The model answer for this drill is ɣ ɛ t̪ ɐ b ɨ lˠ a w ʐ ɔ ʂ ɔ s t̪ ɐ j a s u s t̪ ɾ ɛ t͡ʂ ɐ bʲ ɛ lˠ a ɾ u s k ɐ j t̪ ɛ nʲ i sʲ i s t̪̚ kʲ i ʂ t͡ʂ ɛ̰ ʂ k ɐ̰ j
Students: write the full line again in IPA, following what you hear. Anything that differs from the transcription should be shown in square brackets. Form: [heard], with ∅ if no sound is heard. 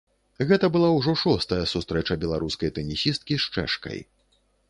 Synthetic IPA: ɣ ɛ t̪ ɐ b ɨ lˠ a w ʐ ɔ ʂ ɔ s t̪ ɐ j [ɐ] s u s t̪ ɾ ɛ t͡ʂ ɐ bʲ ɛ lˠ a ɾ u s k ɐ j t̪ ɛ nʲ i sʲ i s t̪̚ kʲ i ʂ t͡ʂ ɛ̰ ʂ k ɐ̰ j